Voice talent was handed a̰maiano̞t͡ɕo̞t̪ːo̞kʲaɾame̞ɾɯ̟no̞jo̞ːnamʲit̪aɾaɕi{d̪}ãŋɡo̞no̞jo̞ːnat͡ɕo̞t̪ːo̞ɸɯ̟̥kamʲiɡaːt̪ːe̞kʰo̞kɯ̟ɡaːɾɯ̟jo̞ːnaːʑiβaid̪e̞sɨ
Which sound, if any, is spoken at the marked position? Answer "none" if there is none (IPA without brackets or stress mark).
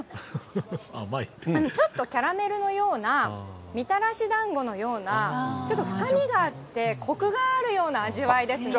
d̪